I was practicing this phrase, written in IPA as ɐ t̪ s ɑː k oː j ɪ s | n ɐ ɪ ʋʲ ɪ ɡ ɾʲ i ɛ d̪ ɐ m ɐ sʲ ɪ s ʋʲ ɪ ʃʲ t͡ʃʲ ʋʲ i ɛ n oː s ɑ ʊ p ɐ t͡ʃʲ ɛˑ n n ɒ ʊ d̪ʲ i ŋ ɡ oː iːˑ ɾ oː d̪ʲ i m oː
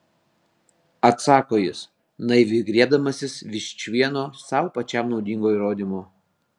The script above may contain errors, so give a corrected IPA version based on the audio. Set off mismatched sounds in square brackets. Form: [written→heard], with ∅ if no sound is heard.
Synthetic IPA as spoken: ɐ t̪ s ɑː k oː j ɪ s | n ɐ ɪ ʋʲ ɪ ɡ ɾʲ i ɛ d̪ ɐ m ɐ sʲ ɪ s ʋʲ ɪ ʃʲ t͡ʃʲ ʋʲ i ɛ n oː s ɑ ʊ p ɐ t͡ʃʲ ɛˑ [n→m] n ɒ ʊ d̪ʲ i ŋ ɡ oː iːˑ ɾ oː d̪ʲ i m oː